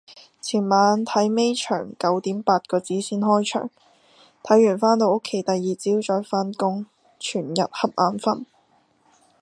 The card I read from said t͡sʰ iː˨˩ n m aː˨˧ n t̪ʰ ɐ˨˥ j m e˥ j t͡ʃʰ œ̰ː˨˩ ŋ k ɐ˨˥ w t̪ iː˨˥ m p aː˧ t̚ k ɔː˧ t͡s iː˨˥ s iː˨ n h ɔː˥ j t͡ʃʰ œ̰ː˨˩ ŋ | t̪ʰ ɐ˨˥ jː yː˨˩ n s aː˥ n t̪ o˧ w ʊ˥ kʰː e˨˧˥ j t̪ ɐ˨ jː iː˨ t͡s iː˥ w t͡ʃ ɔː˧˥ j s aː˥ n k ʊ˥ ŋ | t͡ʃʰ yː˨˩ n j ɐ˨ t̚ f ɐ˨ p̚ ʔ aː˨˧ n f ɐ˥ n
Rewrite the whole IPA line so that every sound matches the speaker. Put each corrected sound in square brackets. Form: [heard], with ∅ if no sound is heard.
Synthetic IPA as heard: t͡sʰ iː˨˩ n m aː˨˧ n t̪ʰ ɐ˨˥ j m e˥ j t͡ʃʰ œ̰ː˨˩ ŋ k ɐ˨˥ w t̪ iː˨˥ m p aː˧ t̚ k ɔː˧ t͡s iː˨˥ s [iː˥] n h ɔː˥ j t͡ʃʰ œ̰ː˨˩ ŋ | t̪ʰ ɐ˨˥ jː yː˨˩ n [f] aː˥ n t̪ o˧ w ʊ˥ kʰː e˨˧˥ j t̪ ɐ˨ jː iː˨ t͡s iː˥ w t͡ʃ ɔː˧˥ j [f] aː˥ n k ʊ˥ ŋ | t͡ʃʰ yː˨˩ n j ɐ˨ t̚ [h] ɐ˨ p̚ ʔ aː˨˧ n f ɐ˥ n